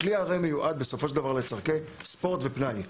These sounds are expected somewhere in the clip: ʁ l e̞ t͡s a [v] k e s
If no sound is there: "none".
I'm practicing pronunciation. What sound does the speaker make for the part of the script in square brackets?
ʁ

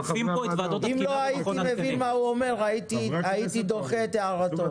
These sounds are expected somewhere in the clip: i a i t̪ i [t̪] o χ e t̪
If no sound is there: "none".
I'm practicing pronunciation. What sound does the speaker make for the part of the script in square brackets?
d̪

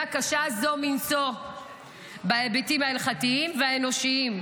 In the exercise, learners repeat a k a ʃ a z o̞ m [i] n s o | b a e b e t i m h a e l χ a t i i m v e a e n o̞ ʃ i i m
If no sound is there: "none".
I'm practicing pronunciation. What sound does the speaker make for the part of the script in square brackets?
i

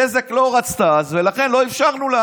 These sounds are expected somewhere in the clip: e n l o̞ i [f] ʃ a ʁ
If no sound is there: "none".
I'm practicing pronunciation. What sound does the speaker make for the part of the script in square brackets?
f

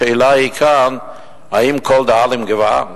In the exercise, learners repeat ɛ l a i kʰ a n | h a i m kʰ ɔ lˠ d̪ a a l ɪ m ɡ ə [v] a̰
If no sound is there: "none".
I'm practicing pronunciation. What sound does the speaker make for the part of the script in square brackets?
v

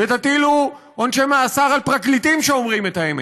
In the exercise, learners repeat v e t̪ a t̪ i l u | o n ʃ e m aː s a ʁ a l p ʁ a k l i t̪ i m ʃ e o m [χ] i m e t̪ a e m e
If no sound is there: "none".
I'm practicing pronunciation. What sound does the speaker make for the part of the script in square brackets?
ʁ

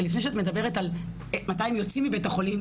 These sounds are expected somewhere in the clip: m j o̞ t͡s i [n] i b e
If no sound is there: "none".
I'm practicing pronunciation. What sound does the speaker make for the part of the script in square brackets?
m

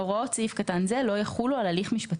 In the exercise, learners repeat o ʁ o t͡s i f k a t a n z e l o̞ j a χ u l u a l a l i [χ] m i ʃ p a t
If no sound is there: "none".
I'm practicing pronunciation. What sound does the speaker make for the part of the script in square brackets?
χ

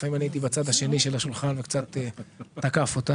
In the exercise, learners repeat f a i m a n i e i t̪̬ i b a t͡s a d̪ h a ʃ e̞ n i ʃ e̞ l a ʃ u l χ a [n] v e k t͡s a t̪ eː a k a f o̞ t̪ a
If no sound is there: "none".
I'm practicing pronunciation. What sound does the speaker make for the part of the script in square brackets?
n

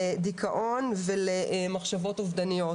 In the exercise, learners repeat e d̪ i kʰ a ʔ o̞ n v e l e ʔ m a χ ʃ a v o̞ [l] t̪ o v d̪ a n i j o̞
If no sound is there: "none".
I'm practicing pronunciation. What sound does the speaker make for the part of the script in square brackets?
none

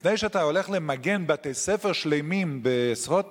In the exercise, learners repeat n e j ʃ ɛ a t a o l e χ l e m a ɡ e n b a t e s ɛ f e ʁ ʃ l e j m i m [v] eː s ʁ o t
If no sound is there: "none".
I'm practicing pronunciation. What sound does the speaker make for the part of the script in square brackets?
b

